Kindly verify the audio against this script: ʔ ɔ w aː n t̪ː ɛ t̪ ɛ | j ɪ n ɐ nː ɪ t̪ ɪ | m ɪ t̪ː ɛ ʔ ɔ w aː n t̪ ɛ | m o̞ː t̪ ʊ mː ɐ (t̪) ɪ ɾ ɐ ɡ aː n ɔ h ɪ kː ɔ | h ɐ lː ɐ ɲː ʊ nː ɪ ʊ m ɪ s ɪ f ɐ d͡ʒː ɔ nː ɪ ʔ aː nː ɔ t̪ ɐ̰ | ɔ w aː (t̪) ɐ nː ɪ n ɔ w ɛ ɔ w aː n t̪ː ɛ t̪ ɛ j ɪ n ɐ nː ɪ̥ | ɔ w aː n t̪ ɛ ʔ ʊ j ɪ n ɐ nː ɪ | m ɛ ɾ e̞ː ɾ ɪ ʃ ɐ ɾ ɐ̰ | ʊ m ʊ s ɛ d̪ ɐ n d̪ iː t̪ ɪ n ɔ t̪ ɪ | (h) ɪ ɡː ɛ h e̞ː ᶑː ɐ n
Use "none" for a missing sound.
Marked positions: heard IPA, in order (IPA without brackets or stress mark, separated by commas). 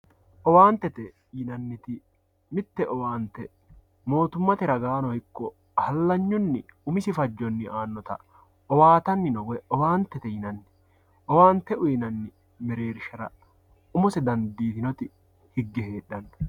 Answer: t̪, t̪, h